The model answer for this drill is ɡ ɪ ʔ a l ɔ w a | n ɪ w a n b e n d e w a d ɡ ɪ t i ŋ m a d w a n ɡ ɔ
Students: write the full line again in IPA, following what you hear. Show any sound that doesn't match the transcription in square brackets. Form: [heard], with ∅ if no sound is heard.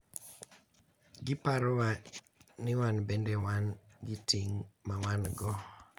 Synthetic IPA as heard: ɡ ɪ [p] a [ɾ] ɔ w a | n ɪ w a n b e n d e w a [n] ɡ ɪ t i ŋ m a [∅] w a n ɡ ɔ